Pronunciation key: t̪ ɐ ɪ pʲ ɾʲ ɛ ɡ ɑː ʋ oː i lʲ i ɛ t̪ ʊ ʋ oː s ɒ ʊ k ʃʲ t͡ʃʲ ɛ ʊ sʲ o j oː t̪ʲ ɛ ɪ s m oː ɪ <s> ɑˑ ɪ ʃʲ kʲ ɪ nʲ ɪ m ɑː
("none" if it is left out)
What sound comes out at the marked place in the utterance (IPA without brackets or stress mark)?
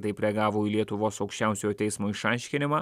ʃ